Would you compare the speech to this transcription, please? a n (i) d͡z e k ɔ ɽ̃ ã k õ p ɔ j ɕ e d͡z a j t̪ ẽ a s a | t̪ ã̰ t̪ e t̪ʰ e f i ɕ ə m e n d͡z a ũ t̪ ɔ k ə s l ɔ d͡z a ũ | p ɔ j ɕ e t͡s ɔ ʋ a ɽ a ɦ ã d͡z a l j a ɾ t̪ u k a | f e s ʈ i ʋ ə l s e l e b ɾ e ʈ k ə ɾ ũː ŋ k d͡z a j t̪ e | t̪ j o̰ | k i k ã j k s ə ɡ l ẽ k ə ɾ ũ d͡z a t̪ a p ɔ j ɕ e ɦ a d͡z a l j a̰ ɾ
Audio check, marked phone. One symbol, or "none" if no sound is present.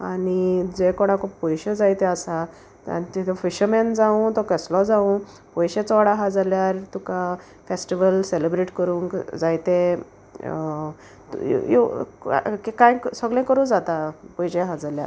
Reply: i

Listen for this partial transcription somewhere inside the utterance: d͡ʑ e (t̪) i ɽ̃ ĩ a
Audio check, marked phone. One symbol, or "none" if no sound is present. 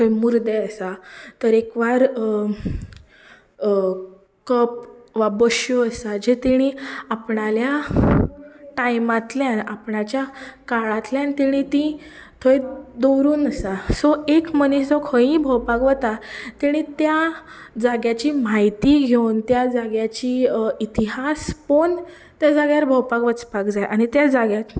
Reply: t̪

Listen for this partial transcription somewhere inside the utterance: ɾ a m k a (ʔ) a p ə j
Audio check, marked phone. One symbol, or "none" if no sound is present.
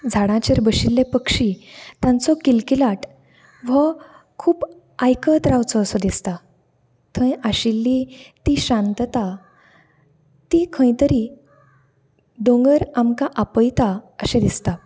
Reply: ʔ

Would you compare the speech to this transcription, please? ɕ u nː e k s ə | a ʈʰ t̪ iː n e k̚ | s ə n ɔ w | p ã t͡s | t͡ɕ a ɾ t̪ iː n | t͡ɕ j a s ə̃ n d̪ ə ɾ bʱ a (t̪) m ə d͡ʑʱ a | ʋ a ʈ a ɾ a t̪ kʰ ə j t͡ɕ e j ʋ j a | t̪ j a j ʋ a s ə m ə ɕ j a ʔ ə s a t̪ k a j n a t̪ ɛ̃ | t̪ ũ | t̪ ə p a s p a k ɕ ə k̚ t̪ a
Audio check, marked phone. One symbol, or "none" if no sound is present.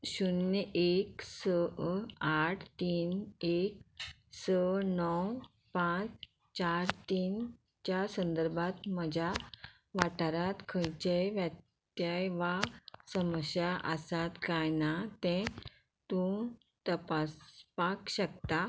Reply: t̪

